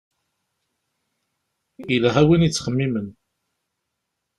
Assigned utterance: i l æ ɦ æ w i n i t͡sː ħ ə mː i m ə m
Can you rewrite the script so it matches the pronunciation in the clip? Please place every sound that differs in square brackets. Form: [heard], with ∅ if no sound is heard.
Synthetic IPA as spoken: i l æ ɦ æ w i n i t͡sː [χ] ə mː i m ə [n]